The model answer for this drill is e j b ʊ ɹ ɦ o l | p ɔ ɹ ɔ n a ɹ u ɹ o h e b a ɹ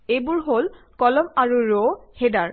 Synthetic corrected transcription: e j b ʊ ɹ ɦ o l | k ɔ l ɔ m a ɹ u ɹ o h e d a ɹ